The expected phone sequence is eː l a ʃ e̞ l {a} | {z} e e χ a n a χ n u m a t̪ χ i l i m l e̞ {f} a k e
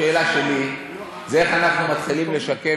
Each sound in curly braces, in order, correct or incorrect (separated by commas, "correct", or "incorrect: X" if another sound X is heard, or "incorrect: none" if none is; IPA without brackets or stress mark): incorrect: i, correct, incorrect: ʃ